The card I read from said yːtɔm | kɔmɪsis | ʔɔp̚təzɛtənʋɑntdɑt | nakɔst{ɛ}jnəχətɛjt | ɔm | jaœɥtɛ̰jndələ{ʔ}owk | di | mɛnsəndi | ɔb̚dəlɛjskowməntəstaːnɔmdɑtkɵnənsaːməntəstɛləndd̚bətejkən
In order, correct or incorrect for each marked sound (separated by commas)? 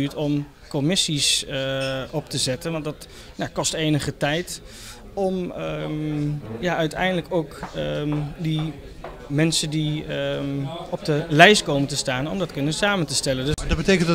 incorrect, incorrect